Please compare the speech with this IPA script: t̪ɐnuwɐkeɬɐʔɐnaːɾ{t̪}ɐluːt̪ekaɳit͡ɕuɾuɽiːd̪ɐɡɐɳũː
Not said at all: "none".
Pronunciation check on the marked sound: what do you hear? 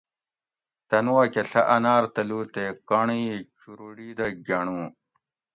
t̪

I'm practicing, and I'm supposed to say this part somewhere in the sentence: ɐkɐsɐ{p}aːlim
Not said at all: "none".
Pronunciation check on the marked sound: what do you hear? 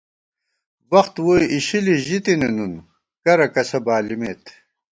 b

